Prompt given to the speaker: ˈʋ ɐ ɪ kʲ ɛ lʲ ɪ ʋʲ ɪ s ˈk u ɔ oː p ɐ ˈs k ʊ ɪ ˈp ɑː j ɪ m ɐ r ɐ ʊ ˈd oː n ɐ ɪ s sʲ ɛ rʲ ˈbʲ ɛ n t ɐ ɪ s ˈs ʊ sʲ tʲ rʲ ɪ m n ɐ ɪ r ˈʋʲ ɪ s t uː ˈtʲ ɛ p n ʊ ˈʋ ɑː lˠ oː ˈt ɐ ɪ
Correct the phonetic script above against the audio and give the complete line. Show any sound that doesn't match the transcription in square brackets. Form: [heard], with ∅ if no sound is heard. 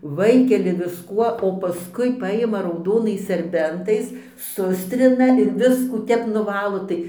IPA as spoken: ˈʋ ɐ ɪ kʲ ɛ lʲ ɪ ʋʲ ɪ s ˈk u ɔ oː p ɐ ˈs k ʊ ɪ ˈp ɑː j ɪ m ɐ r ɐ ʊ ˈd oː n ɐ ɪ s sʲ ɛ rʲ ˈbʲ ɛ n t ɐ ɪ s ˈs ʊ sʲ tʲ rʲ ɪ [∅] n ɐ ɪ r ˈʋʲ ɪ s [k] uː ˈtʲ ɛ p n ʊ ˈʋ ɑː lˠ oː ˈt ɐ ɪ